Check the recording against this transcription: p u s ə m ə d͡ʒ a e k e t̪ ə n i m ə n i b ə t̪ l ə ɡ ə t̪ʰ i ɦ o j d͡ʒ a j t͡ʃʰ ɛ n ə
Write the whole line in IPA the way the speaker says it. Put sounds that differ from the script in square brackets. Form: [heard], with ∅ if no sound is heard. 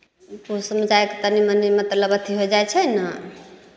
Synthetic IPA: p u s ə m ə d͡ʒ a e k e t̪ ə n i m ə n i [m] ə t̪ l ə [b] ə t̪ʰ i ɦ o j d͡ʒ a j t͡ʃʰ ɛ n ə